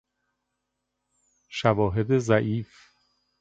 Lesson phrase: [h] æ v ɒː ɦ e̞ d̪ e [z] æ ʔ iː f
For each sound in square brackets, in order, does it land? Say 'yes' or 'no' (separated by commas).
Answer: no, yes